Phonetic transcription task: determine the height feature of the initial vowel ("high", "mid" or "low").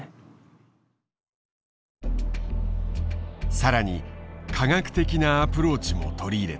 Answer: low